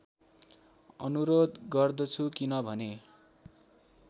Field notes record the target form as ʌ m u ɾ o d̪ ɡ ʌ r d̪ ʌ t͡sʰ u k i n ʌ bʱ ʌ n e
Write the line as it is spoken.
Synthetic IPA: ʌ n u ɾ o d̪ ɡ ʌ r d̪ ʌ t͡sʰ u k i n ʌ bʱ ʌ n e